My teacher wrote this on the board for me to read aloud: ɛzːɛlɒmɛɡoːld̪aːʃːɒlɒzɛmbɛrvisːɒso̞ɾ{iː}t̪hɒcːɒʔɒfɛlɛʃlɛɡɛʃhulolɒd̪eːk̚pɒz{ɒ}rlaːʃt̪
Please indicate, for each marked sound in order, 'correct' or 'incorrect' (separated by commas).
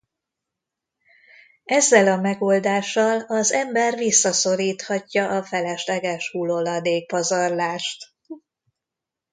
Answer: correct, correct